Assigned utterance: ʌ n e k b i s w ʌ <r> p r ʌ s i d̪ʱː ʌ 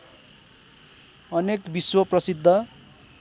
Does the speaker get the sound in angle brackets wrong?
yes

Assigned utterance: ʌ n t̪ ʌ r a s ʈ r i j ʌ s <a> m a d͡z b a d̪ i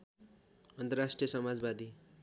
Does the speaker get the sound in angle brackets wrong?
yes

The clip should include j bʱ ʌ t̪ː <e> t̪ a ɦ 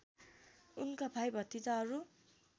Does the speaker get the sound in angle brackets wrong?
yes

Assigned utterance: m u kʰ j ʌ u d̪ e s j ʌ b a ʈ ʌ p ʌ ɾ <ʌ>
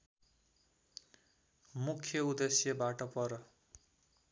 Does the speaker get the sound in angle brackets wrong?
no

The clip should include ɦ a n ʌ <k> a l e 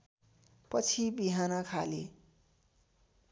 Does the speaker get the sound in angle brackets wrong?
yes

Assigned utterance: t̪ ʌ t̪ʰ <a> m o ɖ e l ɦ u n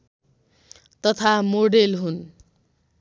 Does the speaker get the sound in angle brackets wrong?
no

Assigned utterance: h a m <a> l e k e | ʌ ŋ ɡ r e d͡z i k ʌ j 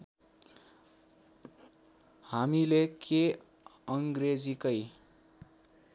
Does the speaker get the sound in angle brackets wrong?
yes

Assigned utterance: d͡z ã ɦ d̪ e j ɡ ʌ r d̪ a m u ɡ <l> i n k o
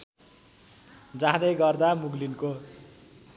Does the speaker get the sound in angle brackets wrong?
no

